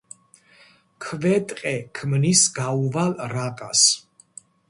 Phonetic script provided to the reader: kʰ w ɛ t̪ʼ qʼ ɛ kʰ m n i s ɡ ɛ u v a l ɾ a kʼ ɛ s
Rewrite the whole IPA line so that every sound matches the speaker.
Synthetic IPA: kʰ v ɛ t̪ʼ qʼ ɛ kʰ m n i s ɡ a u v a l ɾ a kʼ a s